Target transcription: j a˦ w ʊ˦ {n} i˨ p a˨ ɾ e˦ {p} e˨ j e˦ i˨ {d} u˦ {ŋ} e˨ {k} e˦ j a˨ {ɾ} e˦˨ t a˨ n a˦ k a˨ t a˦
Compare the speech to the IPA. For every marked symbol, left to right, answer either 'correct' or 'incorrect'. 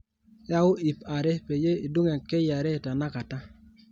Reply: incorrect, correct, correct, correct, correct, correct

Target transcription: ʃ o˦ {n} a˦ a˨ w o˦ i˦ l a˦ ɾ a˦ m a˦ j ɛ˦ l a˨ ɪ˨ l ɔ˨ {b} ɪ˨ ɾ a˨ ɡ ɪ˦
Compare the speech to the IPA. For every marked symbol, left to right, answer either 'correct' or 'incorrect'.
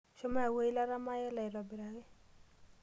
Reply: incorrect, correct

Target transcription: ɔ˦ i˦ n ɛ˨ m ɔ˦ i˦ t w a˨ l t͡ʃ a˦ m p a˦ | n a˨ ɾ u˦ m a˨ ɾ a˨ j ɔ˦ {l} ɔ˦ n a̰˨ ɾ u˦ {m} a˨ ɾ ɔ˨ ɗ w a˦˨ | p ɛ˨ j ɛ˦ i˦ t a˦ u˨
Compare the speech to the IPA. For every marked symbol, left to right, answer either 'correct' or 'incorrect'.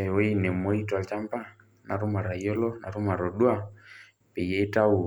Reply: correct, correct

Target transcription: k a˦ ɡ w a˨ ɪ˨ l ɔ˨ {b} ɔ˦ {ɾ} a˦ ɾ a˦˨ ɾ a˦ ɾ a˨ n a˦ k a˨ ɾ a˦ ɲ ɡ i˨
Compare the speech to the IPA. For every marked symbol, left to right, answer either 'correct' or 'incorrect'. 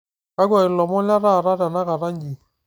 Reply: incorrect, incorrect

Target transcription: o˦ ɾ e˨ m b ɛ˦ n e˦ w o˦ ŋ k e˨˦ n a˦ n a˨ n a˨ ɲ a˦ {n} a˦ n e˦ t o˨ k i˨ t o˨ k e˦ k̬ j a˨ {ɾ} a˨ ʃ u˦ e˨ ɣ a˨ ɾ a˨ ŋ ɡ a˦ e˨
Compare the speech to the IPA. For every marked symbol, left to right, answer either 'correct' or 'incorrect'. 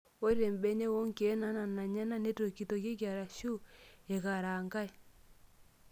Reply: correct, correct

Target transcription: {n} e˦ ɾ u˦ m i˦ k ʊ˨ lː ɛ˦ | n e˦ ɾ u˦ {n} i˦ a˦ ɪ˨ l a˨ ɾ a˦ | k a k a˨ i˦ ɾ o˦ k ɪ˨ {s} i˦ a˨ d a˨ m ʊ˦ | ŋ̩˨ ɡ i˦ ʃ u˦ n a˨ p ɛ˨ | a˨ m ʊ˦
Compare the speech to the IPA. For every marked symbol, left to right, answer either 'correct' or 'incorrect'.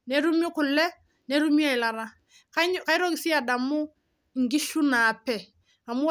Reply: correct, incorrect, correct

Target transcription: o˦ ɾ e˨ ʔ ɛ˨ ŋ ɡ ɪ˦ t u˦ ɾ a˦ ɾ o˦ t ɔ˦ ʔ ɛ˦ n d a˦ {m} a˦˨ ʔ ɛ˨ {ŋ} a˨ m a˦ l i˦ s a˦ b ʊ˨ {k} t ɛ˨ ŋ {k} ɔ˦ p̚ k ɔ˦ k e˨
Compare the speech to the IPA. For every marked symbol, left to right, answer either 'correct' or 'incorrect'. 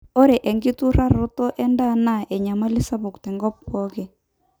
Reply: incorrect, incorrect, correct, incorrect

